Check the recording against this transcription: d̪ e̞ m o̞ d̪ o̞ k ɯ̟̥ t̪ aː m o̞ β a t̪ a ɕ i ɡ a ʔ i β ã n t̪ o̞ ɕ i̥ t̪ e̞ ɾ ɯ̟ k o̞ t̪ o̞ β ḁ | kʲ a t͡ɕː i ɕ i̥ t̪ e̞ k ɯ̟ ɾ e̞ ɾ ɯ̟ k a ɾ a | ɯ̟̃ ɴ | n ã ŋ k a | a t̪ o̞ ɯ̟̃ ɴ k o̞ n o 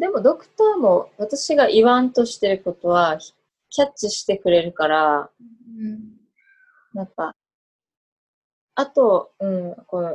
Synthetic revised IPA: d̪ e̞ m o̞ d̪ o̞ k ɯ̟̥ t̪ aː m o̞ β a t̪ a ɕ i ɡ a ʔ i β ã n t̪ o̞ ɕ i̥ t̪ e̞ ɾ ɯ̟ k o̞ t̪ o̞ β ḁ | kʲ a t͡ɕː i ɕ i̥ t̪ e̞ k ɯ̟ ɾ e̞ ɾ ɯ̟ k a ɾ a | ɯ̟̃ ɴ | n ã ŋ k a | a t̪ o̞ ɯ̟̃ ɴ k o̞ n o